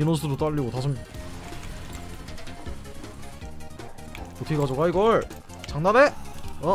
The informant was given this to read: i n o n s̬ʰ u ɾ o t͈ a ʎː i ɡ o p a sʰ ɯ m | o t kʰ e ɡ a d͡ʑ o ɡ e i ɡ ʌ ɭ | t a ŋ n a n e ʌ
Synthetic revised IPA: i n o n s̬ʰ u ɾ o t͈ a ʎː i ɡ o t a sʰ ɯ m | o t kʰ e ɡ a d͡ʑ o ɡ a i ɡ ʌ ɭ | t͡ɕ a ŋ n a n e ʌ